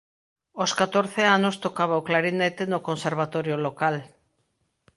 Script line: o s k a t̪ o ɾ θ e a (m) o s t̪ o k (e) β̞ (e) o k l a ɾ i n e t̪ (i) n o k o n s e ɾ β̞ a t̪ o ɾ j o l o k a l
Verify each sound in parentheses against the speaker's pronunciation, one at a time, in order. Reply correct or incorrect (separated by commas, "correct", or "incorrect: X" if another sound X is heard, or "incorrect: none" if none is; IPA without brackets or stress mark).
incorrect: n, incorrect: a, incorrect: a, incorrect: e